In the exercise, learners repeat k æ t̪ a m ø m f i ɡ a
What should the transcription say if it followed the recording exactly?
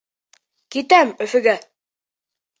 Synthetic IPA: k i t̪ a m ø f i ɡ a

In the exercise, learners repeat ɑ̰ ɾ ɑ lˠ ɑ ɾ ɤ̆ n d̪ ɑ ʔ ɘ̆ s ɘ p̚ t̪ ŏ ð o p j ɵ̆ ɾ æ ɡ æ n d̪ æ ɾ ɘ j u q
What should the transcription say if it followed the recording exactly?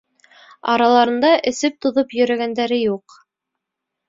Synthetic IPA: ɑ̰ ɾ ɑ lˠ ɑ ɾ ɤ̆ n d̪ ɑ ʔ ɘ̆ s ɘ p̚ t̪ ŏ ð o p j ɵ̆ ɾ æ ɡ æ n d̪ æ ɾ ɘ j u q

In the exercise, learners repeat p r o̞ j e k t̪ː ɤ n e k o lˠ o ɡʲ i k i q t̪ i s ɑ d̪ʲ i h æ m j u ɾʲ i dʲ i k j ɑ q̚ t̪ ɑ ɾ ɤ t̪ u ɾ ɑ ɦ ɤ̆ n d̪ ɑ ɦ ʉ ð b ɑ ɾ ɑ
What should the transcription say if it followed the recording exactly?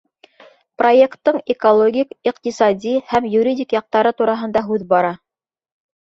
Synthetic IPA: p r o̞ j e k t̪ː ɤ ɴ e k o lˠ o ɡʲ i k i q t̪ i s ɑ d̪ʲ i h æ m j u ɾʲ i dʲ i k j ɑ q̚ t̪ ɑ ɾ ɤ t̪ u ɾ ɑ ɦ ɤ̆ n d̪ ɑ ɦ ʉ ð b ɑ ɾ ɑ

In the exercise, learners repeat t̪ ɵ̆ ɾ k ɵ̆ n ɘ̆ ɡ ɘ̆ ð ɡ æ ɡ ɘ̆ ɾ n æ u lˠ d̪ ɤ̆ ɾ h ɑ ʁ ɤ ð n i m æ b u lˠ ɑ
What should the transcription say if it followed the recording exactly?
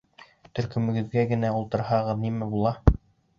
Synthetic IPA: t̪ ɵ̆ ɾ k ɵ̆ m ɘ̆ ɡ ɘ̆ ð ɡ æ ɡ ɘ̆ n æ u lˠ t̪ ɤ̆ ɾ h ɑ ʁ ɤ ð n i m æ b u lˠ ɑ

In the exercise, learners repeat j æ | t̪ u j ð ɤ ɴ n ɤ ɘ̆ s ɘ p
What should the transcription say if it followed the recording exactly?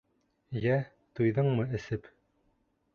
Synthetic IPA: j æ | t̪ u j ð ɤ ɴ m ɤ ɘ̆ s ɘ p

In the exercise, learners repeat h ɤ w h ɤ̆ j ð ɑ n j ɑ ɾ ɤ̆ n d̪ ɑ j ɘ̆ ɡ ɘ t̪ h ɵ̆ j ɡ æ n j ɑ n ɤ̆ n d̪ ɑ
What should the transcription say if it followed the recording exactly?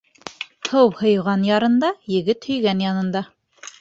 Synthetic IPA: h ɤ w h ɤ̆ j ʁ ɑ n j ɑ ɾ ɤ̆ n d̪ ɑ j ɘ̆ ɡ ɘ t̪ h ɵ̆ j ɡ æ n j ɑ n ɤ̆ n d̪ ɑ

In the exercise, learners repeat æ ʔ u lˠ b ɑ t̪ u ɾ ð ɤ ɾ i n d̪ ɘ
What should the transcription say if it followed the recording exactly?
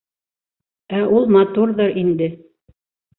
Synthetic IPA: æ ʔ u lˠ m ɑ t̪ u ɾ ð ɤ ɾ i n d̪ ɘ

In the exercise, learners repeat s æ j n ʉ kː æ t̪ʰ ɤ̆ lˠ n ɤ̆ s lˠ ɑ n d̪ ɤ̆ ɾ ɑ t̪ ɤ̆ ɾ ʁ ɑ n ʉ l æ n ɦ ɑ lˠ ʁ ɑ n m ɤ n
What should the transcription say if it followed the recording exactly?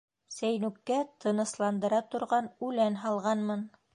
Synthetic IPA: s æ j n ʉ kː æ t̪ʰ ɤ̆ n ɤ̆ s lˠ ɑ n d̪ ɤ̆ ɾ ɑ t̪ ŏ ɾ ʁ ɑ n ʉ l æ n ɦ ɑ lˠ ʁ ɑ n m ɤ n

